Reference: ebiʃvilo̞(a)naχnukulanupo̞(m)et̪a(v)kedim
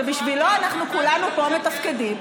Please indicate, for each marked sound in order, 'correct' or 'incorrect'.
correct, correct, incorrect: f

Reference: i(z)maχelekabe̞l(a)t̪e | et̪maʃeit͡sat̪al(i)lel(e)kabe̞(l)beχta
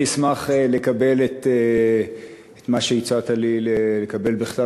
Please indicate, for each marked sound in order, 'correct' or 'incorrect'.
incorrect: s, incorrect: e, correct, correct, correct

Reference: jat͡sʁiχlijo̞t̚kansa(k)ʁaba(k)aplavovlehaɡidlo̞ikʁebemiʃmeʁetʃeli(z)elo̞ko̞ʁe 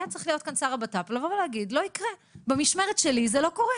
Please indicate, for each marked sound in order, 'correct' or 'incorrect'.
incorrect: none, incorrect: t, correct

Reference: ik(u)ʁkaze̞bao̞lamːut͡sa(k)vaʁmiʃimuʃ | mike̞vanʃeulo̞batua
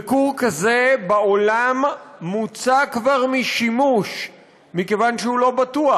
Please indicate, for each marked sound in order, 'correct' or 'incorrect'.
correct, correct

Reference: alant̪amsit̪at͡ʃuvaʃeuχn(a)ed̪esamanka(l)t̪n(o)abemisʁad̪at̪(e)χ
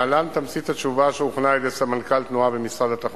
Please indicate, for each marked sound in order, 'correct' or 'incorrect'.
correct, correct, incorrect: u, incorrect: a

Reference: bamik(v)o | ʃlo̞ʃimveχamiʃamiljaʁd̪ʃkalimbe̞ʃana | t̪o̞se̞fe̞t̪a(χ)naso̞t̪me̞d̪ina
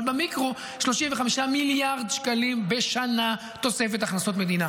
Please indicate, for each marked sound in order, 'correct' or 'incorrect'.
incorrect: ʁ, correct

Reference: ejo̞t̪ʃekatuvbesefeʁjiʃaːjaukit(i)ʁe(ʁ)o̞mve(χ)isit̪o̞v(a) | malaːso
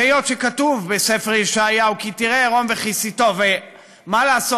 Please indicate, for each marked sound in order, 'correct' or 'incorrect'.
correct, correct, correct, incorrect: e

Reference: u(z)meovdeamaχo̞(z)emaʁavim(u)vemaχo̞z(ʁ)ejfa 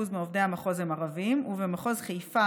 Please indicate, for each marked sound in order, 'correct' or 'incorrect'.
correct, correct, correct, incorrect: χ

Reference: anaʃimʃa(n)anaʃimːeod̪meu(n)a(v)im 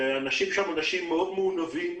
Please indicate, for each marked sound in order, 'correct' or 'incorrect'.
incorrect: m, correct, correct

